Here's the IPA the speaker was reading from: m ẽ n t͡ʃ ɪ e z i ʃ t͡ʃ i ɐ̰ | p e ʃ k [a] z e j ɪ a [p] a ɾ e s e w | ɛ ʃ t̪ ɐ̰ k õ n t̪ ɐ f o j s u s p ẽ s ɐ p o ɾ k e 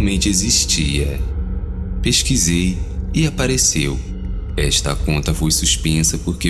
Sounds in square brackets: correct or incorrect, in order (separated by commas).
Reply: incorrect, correct